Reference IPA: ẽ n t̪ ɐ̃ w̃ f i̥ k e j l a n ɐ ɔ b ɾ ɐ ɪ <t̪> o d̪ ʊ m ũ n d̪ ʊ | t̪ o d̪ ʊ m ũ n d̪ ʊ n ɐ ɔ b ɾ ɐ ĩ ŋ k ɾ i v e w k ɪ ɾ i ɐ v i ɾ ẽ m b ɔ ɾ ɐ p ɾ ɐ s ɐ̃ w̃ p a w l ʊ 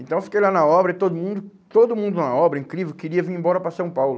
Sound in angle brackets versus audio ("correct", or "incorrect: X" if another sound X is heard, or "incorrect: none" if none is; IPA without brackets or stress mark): correct